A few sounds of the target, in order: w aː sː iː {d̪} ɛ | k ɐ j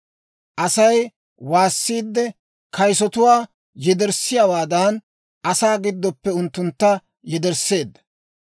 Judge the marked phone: incorrect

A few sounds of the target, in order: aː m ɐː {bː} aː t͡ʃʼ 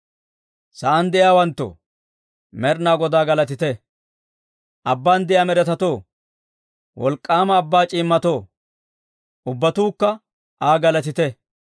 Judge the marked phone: correct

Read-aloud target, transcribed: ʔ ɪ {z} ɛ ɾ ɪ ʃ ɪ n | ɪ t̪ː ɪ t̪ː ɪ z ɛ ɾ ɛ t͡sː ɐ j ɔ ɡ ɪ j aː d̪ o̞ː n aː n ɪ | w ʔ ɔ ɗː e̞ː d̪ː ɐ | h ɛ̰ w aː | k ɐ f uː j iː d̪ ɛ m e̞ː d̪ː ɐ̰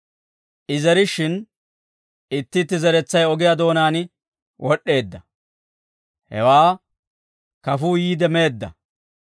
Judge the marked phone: correct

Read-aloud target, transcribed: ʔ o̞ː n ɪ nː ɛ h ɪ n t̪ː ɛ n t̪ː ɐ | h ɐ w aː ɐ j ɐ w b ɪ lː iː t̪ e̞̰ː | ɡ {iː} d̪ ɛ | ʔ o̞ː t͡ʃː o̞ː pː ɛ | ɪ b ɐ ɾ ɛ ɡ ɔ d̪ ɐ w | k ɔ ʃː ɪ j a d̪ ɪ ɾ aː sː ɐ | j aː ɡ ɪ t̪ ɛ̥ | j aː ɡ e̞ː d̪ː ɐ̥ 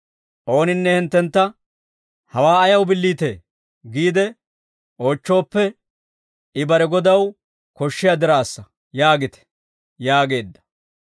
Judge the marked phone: correct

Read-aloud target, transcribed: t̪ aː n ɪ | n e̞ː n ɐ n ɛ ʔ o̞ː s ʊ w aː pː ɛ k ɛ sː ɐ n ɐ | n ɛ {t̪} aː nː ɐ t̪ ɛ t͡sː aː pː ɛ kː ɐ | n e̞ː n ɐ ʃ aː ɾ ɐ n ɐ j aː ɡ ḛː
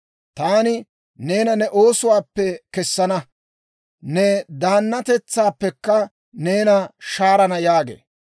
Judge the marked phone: incorrect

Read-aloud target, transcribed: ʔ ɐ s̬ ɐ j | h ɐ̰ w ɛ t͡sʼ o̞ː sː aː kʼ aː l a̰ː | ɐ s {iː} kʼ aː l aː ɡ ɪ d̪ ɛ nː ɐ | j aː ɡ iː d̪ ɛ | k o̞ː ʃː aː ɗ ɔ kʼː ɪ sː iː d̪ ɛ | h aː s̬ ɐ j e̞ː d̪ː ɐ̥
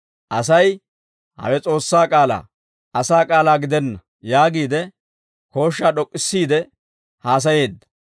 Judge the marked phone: incorrect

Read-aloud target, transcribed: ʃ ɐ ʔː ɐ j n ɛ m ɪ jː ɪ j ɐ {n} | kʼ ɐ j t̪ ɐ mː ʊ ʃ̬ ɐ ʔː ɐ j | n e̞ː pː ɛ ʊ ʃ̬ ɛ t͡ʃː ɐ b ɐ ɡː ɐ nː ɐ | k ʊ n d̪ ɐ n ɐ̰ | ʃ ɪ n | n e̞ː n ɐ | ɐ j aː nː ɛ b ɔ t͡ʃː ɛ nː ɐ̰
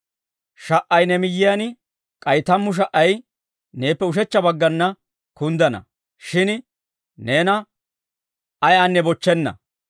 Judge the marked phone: correct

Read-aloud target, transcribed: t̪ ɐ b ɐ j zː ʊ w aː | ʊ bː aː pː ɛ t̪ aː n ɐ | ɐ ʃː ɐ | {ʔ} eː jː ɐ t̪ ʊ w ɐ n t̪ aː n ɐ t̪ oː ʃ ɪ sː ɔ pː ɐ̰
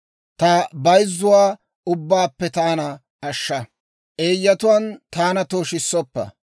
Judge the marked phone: correct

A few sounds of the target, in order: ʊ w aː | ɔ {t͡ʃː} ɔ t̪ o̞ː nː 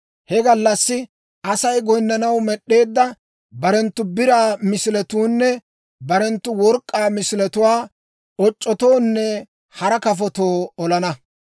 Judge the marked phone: incorrect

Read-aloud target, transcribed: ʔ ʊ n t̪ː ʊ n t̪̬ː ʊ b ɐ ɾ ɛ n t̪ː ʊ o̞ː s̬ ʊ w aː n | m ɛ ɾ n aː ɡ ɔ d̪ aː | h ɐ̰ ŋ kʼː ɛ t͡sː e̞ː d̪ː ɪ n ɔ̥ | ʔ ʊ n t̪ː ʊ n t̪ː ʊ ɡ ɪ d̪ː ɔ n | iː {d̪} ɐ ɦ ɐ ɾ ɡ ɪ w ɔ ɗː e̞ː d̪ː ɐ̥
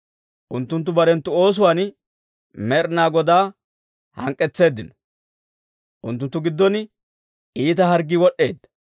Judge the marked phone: incorrect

